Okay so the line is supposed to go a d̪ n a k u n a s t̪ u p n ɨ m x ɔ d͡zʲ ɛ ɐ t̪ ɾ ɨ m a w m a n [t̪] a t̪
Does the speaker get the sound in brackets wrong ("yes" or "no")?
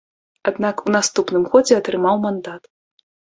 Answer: yes